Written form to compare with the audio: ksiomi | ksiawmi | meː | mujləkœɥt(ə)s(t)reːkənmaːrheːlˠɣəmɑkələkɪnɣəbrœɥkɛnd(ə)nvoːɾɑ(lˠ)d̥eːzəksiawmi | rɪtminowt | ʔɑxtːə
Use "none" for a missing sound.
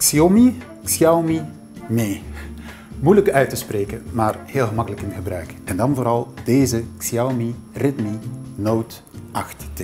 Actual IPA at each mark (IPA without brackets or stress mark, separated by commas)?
ə, p, ɑ, lˠ